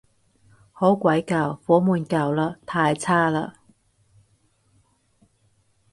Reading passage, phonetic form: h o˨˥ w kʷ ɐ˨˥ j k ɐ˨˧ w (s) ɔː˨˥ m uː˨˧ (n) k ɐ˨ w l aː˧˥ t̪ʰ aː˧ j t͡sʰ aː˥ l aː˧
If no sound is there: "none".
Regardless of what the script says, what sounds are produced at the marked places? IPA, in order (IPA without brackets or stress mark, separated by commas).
f, n